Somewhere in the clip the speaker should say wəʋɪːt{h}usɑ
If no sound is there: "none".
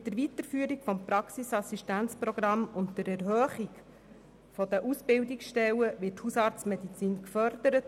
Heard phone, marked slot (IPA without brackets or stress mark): h